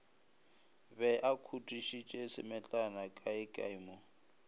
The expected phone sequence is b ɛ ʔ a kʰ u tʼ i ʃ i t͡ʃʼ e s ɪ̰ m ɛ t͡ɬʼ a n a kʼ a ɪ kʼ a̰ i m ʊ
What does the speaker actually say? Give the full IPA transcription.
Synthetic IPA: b ɛ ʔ a kʰ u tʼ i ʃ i t͡ʃʼ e s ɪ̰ m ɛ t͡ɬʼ a n a kʼ a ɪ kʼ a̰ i m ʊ